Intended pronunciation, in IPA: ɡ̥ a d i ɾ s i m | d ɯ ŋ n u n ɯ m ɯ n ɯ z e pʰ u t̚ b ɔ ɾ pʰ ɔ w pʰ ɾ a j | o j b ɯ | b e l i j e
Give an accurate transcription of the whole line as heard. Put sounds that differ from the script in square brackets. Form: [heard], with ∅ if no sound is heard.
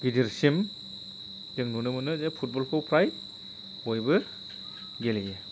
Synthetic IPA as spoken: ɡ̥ [i] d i ɾ s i m | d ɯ ŋ n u n ɯ m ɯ n ɯ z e pʰ u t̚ b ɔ [l] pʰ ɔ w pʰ ɾ a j | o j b ɯ | [ɡ] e l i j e